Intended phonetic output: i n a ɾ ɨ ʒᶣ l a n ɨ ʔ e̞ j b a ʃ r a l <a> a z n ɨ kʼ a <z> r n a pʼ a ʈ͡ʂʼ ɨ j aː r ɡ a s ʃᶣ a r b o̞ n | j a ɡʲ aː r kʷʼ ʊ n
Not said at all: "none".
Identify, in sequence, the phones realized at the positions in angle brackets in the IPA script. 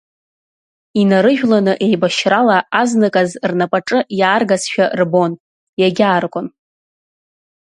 a, z

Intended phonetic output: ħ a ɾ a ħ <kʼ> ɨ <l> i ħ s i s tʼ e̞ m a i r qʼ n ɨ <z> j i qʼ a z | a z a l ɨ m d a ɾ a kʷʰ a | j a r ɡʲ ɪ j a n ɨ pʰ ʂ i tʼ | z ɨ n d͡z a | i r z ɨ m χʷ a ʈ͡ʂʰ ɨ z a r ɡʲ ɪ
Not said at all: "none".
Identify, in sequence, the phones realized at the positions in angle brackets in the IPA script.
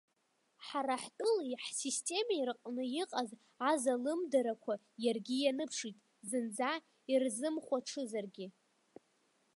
tʼ, l, none

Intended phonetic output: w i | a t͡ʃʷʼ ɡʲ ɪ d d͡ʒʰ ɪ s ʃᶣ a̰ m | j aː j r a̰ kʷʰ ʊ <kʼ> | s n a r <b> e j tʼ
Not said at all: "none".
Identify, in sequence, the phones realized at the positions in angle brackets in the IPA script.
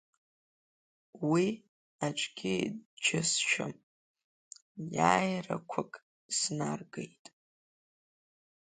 kʼ, ɡ

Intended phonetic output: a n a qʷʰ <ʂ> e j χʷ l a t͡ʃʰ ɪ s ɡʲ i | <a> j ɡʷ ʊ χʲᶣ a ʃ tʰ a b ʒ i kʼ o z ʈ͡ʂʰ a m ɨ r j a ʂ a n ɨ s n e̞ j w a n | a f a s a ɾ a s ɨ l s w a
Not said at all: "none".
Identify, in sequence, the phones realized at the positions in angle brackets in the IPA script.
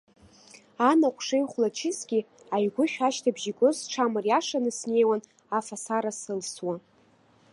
ʂ, a

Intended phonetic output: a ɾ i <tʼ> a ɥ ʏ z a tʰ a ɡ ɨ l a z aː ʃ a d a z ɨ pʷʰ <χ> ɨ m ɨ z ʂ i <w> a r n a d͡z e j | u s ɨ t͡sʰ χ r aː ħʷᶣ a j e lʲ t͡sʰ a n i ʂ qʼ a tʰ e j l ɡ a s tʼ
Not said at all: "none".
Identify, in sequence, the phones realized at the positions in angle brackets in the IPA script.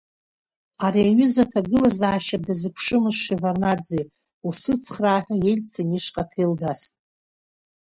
none, ʂ, v

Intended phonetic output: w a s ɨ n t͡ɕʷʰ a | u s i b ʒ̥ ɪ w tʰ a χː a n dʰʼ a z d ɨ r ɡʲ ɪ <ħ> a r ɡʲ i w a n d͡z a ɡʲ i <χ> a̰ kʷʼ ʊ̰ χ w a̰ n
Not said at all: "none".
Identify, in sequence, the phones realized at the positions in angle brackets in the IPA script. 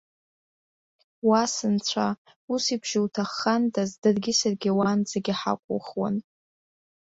s, ħ

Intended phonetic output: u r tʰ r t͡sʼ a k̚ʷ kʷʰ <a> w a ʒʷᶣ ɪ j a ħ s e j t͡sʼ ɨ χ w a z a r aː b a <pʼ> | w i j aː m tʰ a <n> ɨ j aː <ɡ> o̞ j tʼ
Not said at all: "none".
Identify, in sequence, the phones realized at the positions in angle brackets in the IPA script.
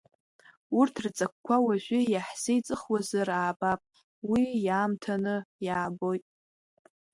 a, pʼ, n, b

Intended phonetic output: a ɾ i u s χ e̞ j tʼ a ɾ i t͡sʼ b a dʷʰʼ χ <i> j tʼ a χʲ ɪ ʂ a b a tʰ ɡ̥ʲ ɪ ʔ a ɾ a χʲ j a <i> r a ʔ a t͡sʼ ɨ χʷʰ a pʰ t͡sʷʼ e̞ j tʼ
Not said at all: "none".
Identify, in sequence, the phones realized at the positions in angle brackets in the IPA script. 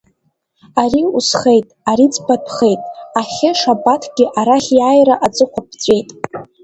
e, j

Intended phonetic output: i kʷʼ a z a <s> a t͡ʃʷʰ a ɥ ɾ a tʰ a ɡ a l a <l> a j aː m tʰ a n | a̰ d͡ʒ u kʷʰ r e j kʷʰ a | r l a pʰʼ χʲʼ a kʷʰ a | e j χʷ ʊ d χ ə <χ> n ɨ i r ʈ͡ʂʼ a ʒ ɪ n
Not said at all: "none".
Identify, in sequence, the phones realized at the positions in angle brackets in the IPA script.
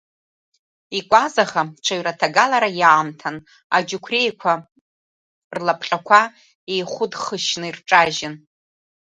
χ, ɾ, ʃ

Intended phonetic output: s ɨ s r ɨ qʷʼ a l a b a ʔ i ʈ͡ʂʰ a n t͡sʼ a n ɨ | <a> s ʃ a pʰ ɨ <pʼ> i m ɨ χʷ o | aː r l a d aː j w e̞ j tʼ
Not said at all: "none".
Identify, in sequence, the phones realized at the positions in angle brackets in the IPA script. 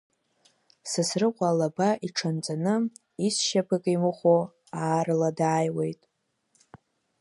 i, kʼ

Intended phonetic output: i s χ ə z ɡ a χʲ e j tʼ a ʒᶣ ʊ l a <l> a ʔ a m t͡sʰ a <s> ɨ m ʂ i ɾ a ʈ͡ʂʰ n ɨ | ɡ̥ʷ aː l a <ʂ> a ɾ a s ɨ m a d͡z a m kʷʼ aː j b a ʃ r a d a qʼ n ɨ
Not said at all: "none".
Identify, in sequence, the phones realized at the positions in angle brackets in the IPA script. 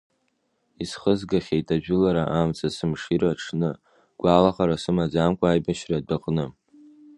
ɾ, s, χ

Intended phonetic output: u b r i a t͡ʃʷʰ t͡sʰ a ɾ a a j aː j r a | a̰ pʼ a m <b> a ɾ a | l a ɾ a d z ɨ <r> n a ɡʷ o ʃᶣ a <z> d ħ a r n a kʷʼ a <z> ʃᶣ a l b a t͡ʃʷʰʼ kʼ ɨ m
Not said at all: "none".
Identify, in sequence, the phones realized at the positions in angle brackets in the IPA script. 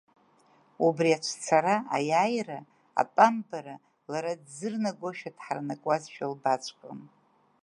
b, r, none, z

